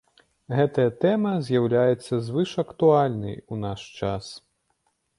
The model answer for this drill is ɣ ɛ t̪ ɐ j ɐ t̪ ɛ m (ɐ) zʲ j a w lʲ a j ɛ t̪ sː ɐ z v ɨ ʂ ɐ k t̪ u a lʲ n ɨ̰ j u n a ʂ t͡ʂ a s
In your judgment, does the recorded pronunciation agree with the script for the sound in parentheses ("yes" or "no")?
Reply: yes